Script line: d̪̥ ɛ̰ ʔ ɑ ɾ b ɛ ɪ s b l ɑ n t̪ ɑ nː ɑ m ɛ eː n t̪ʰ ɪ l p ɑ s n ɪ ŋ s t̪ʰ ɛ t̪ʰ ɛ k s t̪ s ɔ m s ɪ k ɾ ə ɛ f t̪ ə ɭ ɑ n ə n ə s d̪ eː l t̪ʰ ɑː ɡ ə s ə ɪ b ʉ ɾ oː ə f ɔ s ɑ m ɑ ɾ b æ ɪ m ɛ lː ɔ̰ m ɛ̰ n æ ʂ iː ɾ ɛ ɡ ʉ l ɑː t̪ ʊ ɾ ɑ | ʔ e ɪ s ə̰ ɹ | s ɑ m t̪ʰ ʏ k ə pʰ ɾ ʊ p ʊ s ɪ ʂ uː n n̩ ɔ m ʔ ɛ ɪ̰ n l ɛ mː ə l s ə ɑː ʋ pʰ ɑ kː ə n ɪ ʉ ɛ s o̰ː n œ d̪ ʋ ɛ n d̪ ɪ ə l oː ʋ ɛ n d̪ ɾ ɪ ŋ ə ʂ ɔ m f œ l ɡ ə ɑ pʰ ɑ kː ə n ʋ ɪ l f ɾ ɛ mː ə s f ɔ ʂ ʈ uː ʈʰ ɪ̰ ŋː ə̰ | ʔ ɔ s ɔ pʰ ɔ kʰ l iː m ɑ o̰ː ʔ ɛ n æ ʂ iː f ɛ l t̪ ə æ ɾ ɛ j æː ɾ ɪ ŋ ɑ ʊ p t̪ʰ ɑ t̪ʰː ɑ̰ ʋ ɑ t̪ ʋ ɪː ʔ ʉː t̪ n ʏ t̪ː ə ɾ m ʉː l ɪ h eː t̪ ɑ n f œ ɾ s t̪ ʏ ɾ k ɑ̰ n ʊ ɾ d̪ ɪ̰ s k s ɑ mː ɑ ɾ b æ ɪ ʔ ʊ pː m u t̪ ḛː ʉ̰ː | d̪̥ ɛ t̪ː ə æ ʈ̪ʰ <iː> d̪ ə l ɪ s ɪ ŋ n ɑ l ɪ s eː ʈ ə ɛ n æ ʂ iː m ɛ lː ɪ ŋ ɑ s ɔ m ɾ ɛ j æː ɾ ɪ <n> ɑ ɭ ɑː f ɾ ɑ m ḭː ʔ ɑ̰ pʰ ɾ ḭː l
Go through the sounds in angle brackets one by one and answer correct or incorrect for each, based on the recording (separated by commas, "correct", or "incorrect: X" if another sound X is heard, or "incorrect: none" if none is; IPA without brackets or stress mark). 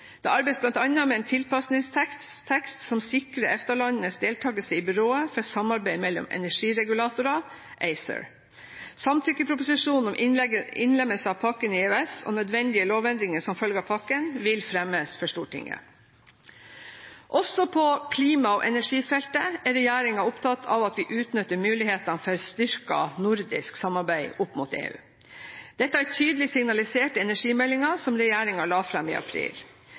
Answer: incorrect: yː, incorrect: ŋ